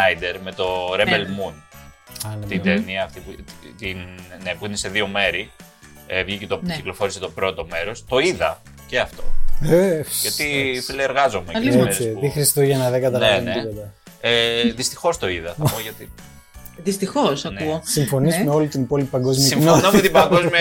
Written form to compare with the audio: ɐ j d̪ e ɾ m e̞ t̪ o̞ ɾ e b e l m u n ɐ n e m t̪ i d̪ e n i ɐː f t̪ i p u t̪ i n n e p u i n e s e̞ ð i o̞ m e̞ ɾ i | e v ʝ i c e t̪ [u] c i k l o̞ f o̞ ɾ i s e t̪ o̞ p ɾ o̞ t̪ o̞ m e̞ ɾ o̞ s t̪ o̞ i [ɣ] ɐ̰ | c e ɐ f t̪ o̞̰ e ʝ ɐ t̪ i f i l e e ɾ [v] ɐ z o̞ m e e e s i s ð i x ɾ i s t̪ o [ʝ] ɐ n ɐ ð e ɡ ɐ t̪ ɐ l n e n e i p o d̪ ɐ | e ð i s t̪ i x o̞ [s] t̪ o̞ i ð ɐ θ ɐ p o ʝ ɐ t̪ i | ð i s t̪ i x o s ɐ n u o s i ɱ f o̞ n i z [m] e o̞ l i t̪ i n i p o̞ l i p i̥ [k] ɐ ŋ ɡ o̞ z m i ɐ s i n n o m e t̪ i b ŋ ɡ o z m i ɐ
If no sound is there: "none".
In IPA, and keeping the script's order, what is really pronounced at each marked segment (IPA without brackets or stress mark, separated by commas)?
o, ð, ɣ, ʝ, s, m, p